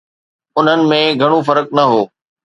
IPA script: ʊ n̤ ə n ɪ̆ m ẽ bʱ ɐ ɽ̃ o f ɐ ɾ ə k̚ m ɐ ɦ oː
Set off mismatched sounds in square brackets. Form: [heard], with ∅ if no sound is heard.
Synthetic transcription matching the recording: ʊ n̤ ə n ɪ̆ m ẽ [ɡʱ] ɐ ɽ̃ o f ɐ ɾ ə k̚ [n] ɐ ɦ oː